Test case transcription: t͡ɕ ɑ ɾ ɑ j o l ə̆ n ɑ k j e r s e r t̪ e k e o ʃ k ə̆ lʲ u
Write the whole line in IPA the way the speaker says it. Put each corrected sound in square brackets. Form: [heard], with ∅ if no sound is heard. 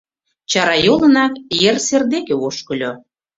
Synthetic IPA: t͡ɕ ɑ ɾ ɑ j o l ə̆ n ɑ k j e r s e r [d̪] e k e o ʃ k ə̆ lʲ [o]